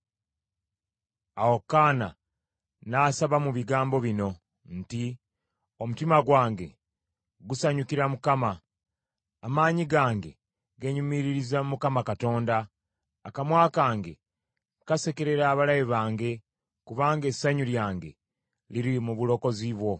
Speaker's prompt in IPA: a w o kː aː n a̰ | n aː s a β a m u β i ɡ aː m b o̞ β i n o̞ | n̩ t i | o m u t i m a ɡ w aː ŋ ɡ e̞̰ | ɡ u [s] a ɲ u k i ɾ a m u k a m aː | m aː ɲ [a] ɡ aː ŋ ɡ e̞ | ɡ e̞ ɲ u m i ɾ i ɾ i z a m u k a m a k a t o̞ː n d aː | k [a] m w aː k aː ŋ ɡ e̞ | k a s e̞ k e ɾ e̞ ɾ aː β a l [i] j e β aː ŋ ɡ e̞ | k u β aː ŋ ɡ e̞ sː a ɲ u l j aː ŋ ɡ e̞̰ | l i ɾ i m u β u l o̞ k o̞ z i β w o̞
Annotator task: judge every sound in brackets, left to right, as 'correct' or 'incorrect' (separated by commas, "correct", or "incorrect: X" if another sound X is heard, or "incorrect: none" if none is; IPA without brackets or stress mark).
correct, incorrect: i, correct, incorrect: a